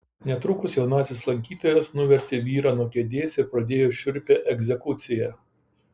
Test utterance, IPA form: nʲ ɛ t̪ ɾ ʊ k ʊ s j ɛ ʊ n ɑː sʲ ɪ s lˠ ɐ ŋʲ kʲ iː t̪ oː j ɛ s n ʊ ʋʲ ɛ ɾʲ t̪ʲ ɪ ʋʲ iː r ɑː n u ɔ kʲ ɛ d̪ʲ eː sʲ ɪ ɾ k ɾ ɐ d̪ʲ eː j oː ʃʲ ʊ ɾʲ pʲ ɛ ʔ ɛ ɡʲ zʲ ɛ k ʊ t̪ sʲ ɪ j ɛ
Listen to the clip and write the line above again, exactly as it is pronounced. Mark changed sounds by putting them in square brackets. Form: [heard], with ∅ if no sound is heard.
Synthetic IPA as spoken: nʲ ɛ t̪ ɾ ʊ k ʊ s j ɛ ʊ n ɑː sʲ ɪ s lˠ ɐ ŋʲ kʲ iː t̪ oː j ɛ s n ʊ ʋʲ ɛ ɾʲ t̪ʲ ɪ ʋʲ iː [ɾ] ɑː n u ɔ kʲ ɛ d̪ʲ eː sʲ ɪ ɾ [p] ɾ ɐ d̪ʲ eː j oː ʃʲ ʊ ɾʲ pʲ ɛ ʔ ɛ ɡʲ zʲ ɛ k ʊ t̪ sʲ ɪ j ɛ